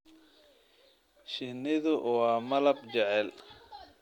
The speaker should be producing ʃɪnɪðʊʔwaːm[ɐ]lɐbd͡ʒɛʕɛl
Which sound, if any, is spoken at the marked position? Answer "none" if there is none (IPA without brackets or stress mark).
ɐ